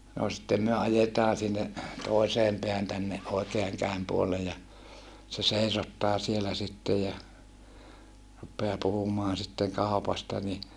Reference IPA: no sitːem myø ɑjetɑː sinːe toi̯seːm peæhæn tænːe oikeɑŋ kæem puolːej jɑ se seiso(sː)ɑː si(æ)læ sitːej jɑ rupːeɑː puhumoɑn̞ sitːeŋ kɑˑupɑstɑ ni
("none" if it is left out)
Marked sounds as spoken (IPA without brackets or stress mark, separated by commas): tː, e